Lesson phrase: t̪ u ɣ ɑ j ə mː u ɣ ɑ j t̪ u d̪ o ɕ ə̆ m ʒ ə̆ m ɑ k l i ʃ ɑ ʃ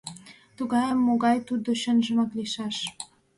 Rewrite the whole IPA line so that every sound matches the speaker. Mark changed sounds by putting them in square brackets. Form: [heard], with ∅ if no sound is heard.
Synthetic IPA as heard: t̪ u ɣ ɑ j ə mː [o] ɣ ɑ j t̪ u d̪ o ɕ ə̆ [n] ʒ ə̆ m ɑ k l i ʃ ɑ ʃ

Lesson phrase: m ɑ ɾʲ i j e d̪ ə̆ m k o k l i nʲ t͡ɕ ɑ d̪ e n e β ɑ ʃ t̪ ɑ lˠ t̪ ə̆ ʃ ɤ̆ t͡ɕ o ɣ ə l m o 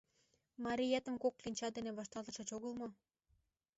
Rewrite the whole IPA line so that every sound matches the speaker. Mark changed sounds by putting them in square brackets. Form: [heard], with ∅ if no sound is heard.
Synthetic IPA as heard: m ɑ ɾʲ i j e [t̪] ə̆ m k o k l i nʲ t͡ɕ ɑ d̪ e n e β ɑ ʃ t̪ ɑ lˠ t̪ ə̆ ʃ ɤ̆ t͡ɕ o ɣ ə l m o

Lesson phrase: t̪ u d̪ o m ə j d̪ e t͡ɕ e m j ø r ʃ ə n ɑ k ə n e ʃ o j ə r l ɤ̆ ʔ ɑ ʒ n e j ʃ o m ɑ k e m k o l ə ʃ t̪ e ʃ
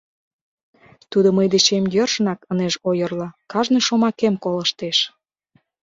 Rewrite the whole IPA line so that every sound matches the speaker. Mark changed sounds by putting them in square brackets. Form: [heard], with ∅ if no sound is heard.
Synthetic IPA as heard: t̪ u d̪ o m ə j d̪ e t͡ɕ e m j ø r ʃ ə n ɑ k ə n e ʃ o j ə r l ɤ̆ [k] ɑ ʒ n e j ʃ o m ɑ k e m k o l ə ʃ t̪ e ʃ

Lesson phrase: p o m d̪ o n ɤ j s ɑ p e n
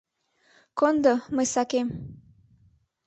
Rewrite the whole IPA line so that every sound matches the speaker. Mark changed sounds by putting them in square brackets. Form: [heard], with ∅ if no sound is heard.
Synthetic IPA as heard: [k] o [n] d̪ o [m] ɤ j s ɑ [k] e [m]

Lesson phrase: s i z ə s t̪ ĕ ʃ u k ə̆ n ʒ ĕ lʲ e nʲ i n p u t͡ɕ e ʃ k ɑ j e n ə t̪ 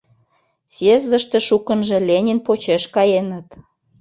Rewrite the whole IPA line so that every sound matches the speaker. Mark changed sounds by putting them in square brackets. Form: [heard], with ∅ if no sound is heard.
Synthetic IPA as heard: s [e] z ə [ʃ] t̪ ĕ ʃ u k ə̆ n ʒ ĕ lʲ e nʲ i n p [o] t͡ɕ e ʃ k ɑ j e n ə t̪

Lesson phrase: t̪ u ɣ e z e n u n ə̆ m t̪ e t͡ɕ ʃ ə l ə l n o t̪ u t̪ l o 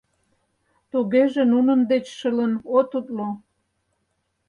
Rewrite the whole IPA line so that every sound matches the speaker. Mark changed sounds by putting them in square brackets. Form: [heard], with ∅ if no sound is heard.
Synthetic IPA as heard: t̪ u ɣ e [ʒ] e n u n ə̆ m [d̪] e t͡ɕ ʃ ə l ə [∅] n o t̪ u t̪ l o

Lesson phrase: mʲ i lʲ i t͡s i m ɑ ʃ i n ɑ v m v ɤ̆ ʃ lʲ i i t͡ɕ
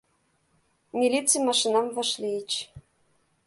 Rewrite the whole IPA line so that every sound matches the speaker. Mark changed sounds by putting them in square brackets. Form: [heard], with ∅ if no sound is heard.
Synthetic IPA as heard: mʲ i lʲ i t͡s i m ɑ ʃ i n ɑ [∅] m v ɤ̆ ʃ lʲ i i t͡ɕ

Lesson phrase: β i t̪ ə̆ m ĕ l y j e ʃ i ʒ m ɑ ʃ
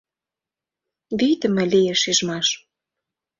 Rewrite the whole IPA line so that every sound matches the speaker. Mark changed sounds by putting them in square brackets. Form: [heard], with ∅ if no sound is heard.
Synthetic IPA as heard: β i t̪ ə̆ m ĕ l [i] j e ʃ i ʒ m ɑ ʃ

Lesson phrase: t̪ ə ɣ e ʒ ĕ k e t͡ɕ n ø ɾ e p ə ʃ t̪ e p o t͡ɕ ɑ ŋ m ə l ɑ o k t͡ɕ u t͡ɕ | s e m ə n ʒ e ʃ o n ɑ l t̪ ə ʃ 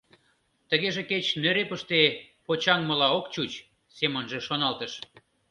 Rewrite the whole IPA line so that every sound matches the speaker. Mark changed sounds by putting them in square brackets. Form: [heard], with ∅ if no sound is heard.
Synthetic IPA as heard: t̪ ə ɣ e ʒ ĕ k e t͡ɕ n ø ɾ e p ə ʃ t̪ e p o t͡ɕ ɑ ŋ m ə l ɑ o k t͡ɕ u t͡ɕ | s e m ə n ʒ e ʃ o n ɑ l t̪ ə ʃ

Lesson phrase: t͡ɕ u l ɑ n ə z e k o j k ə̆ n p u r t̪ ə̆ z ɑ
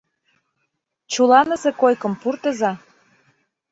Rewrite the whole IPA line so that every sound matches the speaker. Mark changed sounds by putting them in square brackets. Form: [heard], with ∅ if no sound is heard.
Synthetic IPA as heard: t͡ɕ u l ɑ n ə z e k o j k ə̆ [m] p u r t̪ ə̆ z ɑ

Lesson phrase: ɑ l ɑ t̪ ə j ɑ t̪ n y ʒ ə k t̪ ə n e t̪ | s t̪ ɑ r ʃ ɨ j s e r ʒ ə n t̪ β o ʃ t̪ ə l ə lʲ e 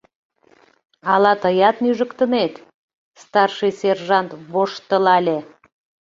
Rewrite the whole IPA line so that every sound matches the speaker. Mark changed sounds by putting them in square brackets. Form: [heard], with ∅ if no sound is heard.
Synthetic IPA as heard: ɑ l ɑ t̪ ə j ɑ t̪ n y ʒ ə k t̪ ə n e t̪ | s t̪ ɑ r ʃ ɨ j s e r ʒ [ɑ] n t̪ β o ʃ t̪ ə l [ɑ] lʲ e

